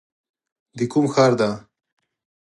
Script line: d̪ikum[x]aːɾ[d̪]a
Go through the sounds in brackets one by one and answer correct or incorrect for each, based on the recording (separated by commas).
correct, correct